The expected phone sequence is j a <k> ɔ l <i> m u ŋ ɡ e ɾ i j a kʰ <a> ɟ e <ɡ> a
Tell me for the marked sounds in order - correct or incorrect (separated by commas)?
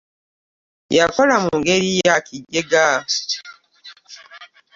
correct, incorrect, incorrect, correct